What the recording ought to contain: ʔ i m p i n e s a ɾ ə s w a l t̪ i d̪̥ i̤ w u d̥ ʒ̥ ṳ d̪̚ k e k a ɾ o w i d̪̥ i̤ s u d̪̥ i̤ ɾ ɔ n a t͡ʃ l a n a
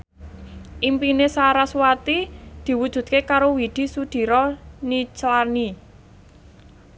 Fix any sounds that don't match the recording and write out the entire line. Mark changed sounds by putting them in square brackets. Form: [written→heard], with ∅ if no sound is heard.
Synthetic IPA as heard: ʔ i m p i n e s a ɾ [ə→a] s w a [l→∅] t̪ i d̪̥ i̤ w u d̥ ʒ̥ ṳ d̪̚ k e k a ɾ o w i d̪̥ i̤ s u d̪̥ i̤ ɾ ɔ n [a→i] t͡ʃ l a n [a→i]